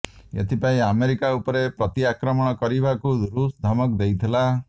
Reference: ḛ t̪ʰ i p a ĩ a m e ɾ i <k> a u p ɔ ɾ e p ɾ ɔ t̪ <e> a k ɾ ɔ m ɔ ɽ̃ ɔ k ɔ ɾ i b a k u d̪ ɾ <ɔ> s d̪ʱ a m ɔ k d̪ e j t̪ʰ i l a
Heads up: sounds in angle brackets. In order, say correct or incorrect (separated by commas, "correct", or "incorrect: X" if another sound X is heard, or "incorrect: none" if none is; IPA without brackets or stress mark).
correct, incorrect: i, incorrect: u